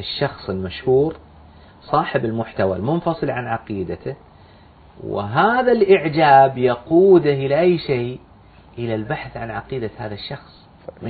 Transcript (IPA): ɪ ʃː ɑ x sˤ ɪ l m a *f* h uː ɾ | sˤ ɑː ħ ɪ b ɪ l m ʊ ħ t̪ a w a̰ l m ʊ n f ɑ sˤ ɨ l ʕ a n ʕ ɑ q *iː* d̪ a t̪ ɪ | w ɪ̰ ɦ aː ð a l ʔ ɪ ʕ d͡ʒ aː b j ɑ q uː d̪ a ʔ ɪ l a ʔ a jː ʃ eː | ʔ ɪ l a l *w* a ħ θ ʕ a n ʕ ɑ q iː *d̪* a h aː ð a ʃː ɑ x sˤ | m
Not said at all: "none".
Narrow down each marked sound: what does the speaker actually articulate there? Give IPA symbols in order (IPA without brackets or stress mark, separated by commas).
ʃ, iː, b, d̪